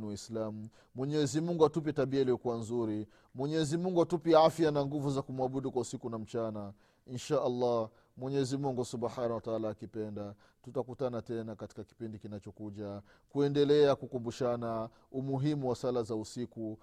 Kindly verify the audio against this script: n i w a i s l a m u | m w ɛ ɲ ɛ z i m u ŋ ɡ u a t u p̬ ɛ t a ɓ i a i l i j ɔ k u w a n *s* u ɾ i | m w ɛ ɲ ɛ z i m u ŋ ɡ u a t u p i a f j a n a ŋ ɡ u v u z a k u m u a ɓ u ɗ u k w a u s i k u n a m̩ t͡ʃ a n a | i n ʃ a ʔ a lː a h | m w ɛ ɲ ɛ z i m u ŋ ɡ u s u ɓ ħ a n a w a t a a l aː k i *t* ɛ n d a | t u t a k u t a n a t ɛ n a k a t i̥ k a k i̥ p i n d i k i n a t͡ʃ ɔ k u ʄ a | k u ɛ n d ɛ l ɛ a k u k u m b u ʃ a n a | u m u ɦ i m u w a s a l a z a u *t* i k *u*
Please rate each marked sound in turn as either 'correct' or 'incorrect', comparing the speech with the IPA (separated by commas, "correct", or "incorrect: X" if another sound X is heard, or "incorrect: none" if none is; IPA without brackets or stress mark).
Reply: incorrect: z, incorrect: p, incorrect: s, correct